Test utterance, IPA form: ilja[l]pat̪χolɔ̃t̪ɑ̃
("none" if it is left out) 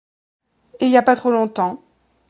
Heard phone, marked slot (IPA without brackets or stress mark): none